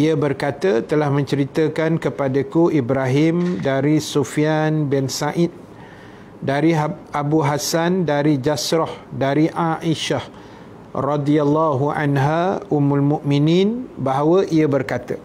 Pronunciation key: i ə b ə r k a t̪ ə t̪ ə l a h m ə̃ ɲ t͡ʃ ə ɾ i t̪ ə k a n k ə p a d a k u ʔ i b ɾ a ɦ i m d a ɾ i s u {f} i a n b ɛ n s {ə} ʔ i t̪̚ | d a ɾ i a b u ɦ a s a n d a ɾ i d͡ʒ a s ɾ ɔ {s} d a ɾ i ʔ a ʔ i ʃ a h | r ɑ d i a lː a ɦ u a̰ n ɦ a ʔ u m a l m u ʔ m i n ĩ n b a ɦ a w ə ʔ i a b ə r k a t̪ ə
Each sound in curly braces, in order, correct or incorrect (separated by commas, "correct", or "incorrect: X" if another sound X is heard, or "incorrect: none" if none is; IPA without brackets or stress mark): correct, incorrect: a, incorrect: h